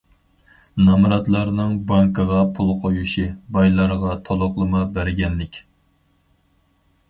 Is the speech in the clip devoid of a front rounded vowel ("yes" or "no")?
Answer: yes